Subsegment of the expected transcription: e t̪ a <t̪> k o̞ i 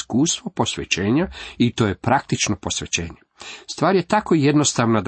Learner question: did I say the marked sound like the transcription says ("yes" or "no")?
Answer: no